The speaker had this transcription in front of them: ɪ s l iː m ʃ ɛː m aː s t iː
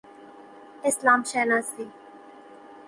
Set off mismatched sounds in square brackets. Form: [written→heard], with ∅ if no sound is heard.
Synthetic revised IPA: ɪ s l [iː→aː] m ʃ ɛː [m→n] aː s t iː